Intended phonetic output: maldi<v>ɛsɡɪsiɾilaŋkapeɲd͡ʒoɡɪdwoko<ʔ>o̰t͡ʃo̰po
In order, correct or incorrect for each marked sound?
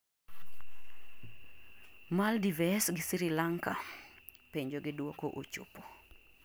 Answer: correct, correct

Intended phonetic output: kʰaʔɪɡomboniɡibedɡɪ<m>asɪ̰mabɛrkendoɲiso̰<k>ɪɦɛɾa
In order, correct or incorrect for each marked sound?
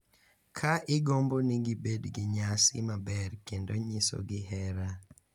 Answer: incorrect: ɲ, incorrect: ɡ

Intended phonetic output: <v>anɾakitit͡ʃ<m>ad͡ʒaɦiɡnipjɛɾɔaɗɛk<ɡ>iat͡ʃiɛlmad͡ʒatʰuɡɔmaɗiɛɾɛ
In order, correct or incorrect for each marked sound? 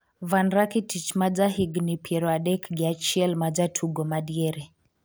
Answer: correct, correct, correct

